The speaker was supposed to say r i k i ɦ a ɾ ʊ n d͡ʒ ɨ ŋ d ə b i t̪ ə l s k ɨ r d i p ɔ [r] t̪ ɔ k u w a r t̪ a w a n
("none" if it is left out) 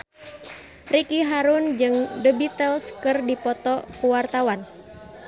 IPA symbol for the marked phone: none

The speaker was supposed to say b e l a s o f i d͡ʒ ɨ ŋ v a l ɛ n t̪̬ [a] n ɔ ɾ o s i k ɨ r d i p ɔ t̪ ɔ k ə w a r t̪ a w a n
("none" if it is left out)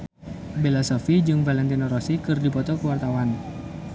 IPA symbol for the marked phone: i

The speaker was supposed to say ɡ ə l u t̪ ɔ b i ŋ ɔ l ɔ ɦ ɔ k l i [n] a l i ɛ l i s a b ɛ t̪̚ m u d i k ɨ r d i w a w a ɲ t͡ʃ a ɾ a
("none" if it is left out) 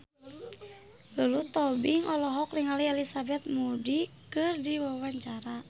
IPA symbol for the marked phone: ŋ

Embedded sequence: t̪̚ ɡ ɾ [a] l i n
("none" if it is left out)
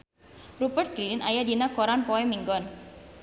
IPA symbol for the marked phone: i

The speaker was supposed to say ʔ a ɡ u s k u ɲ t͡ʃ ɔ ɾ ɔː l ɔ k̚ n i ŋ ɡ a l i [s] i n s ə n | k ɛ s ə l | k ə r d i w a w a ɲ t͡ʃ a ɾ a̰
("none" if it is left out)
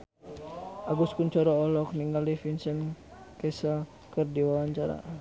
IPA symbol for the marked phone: f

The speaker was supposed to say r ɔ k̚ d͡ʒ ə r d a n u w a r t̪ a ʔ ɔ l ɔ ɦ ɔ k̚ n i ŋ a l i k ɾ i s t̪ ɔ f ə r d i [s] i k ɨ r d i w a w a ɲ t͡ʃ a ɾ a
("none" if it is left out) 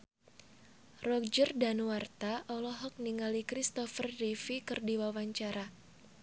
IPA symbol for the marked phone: f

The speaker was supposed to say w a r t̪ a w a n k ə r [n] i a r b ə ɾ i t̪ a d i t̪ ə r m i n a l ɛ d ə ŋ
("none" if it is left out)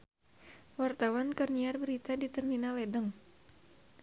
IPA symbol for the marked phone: n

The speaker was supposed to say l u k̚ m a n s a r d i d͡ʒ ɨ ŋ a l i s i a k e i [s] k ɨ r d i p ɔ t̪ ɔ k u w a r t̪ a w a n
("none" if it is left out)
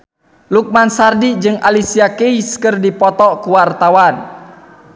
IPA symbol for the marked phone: s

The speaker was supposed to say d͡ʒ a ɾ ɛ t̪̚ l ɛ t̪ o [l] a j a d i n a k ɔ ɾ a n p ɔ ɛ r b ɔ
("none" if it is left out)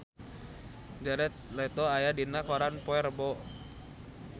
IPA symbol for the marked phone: none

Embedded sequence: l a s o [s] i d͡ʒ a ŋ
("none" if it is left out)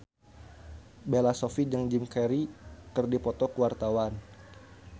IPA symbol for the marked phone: f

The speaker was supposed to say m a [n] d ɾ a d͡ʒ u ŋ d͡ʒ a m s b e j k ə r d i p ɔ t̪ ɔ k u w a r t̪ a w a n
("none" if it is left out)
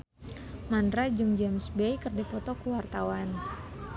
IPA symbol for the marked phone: n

